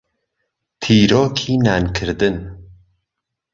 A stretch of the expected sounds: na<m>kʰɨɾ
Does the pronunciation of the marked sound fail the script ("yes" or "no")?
yes